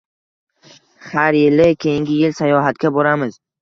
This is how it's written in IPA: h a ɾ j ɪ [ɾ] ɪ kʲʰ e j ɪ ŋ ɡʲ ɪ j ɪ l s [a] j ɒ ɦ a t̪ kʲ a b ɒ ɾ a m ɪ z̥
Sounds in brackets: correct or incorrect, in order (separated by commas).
incorrect, correct